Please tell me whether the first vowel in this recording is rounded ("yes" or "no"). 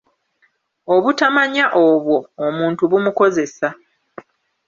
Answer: yes